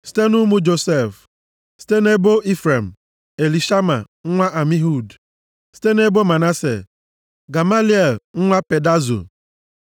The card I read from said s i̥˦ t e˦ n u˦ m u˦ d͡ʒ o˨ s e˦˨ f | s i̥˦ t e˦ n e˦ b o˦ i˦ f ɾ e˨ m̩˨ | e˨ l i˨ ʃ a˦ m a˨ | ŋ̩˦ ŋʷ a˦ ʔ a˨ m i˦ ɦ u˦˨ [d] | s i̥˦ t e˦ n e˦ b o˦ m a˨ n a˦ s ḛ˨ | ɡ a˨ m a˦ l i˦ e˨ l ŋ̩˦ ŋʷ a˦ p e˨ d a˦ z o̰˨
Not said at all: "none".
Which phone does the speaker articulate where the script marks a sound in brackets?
d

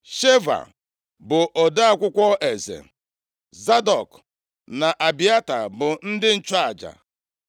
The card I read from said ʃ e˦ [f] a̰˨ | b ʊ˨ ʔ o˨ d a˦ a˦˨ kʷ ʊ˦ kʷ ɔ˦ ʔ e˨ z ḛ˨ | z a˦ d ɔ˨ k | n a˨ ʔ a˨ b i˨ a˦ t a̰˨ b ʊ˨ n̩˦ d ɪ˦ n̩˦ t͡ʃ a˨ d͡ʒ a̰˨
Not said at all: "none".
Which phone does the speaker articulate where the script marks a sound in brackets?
v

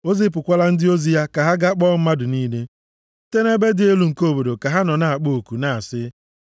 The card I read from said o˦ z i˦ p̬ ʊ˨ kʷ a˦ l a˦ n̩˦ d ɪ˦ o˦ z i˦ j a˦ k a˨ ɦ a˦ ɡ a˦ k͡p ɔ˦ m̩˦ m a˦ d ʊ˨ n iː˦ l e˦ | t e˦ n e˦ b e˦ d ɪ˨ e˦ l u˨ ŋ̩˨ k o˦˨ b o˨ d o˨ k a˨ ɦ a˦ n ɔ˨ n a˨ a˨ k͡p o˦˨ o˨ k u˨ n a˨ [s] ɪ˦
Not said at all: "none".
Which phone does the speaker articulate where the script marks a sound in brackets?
s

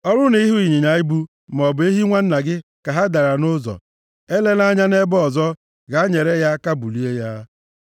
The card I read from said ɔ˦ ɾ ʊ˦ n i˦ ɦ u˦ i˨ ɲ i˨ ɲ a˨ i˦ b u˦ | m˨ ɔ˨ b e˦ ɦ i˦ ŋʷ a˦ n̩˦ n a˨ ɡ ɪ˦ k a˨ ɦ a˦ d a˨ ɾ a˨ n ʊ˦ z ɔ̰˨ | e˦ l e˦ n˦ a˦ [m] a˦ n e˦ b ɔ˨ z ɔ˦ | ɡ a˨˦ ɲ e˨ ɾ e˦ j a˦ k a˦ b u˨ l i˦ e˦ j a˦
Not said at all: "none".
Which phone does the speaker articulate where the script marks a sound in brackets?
ɲ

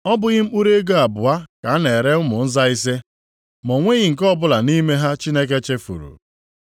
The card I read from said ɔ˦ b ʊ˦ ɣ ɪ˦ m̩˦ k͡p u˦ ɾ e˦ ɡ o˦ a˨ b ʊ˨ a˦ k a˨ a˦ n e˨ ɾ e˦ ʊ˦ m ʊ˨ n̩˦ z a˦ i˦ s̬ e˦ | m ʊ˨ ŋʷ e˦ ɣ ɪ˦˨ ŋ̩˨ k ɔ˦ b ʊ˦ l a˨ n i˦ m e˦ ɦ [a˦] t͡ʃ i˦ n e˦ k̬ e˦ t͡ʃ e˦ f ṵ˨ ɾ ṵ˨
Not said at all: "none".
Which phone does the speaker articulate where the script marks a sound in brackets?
a˦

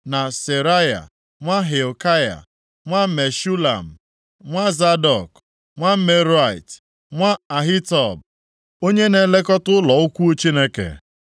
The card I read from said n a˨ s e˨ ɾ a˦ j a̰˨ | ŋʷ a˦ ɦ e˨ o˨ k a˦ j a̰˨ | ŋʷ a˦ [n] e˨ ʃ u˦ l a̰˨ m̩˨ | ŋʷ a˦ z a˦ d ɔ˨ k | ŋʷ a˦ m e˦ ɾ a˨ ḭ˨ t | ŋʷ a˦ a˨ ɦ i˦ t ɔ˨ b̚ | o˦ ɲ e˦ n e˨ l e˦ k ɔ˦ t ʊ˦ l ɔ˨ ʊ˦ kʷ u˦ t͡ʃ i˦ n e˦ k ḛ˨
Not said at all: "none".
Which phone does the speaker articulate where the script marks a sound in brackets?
m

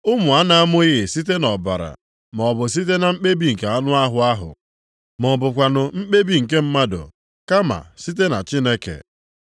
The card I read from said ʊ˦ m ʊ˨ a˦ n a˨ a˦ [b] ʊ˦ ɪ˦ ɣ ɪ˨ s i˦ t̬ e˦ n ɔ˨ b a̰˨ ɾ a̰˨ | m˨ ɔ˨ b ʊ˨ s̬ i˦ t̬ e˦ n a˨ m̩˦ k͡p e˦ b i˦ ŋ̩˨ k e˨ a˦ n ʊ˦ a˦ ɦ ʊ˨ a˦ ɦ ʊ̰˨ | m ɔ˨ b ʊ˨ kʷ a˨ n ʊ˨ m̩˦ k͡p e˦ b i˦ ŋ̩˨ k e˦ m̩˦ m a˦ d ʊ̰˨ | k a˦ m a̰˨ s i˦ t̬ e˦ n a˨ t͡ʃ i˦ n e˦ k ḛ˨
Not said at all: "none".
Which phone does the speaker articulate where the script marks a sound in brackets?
m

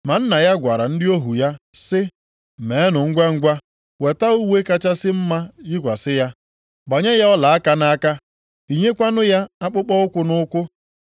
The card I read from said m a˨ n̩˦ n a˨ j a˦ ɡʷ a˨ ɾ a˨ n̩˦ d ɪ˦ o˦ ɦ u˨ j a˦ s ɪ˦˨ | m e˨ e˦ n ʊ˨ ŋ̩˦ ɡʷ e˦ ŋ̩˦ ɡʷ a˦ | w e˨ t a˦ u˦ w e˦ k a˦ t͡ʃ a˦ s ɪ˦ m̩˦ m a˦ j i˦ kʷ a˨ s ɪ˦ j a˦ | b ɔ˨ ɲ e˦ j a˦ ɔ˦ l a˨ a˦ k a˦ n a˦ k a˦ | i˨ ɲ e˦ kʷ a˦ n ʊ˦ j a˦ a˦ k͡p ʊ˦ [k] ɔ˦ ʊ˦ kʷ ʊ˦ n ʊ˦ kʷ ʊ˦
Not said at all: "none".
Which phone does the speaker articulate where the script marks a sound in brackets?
k͡p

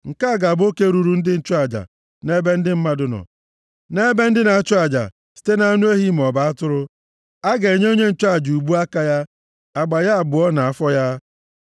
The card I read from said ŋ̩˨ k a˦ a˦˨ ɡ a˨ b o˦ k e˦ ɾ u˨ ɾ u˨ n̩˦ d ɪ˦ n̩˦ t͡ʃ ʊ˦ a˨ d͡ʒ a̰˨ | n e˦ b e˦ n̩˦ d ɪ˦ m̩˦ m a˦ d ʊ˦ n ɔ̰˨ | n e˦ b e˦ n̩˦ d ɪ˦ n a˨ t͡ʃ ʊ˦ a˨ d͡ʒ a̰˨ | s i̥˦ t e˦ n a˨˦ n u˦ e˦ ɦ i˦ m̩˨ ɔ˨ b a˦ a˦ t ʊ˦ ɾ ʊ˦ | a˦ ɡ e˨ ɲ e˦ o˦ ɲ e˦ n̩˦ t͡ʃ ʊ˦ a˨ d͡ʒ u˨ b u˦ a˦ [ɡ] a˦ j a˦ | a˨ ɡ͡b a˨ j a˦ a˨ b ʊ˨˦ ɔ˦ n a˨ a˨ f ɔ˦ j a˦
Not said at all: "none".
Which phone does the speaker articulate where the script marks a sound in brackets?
k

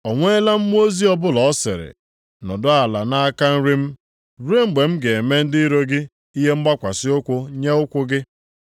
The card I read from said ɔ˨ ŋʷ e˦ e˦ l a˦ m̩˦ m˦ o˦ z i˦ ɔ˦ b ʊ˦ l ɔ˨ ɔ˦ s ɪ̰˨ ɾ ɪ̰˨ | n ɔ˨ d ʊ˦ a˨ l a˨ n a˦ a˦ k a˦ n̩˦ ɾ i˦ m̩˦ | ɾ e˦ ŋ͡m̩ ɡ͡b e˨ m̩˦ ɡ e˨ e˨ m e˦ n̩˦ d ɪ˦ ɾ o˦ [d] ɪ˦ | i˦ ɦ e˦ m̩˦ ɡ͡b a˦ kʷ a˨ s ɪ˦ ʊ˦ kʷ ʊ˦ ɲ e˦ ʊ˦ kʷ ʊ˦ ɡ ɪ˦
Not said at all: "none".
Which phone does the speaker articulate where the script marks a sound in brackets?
ɡ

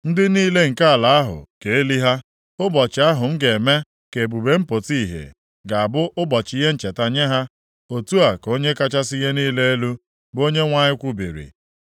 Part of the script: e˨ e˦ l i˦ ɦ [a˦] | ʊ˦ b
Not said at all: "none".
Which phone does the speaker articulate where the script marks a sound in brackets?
a˦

